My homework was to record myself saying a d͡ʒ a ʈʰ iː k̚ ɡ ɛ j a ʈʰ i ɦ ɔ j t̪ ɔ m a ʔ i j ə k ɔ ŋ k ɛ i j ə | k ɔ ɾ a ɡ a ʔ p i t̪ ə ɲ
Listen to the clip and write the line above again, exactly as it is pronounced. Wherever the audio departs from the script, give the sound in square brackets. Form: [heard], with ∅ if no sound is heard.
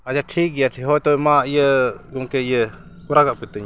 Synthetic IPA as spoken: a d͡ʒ a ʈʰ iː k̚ ɡ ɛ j a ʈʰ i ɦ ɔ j t̪ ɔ m a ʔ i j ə [ɡ] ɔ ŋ k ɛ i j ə | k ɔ ɾ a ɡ a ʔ p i t̪ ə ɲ